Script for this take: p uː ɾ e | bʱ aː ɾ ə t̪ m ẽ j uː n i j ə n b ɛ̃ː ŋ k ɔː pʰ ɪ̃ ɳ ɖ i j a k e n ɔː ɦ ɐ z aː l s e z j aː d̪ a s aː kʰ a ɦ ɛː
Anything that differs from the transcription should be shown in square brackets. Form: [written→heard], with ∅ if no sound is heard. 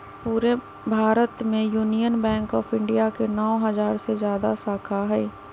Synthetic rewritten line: p uː ɾ e | bʱ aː ɾ ə t̪ m ẽ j uː n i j ə n b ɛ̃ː ŋ k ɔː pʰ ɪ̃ ɳ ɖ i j a k e n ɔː ɦ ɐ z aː [l→ɾ] s e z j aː d̪ a s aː kʰ a ɦ ɛː